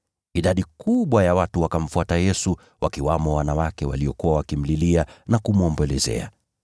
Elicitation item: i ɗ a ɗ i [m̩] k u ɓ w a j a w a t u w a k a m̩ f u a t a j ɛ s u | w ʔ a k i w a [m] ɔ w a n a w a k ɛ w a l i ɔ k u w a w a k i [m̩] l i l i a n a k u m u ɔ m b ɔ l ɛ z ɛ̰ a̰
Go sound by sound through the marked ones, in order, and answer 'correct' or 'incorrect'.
incorrect: none, correct, correct

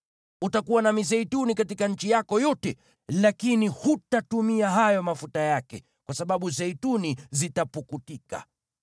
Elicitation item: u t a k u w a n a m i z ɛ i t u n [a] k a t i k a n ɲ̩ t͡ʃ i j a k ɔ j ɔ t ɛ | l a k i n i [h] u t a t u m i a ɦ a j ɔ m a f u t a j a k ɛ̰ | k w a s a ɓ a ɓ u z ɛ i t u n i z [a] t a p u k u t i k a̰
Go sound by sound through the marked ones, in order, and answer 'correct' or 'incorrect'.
incorrect: i, correct, incorrect: i

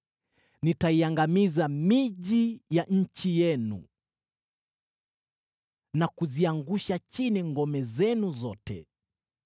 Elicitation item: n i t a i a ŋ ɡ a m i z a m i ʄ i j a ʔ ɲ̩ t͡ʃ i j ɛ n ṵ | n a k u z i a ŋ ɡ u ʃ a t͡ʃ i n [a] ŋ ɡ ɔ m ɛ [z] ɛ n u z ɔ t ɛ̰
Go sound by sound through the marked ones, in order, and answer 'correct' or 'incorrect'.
incorrect: i, correct

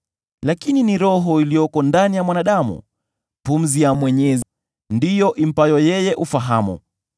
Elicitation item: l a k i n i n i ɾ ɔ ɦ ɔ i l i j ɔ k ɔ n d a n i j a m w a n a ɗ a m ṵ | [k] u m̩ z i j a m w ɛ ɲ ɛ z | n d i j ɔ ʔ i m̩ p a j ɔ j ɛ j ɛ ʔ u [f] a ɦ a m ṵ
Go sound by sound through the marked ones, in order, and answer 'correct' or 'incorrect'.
incorrect: p, correct

